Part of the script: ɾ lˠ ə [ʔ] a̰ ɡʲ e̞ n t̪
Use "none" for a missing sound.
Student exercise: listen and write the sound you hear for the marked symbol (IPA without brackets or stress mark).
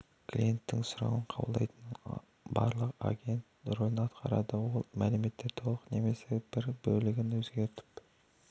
q